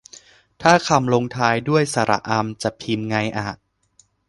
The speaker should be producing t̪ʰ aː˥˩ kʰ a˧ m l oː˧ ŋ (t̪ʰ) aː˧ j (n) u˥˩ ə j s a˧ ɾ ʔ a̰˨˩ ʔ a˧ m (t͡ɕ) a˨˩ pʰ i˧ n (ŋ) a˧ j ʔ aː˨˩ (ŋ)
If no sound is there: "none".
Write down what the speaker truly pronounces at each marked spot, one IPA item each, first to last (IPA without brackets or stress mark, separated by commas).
t̪ʰ, d, t͡ɕ, ŋ, none